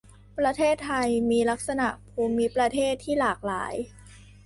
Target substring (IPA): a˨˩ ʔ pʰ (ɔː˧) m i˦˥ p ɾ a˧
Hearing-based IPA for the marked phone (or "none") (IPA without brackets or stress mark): uː˧